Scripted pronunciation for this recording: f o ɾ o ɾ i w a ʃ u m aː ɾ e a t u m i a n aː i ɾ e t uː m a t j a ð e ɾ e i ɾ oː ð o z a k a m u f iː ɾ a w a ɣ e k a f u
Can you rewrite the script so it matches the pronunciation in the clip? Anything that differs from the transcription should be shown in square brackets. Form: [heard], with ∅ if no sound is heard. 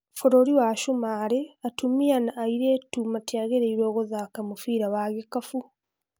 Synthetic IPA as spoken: f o ɾ o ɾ i w a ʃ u m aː ɾ e a t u m i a n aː i ɾ e t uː m a t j a [ɣ] e ɾ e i ɾ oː [ɣ] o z a k a m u f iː ɾ a w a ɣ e k a f u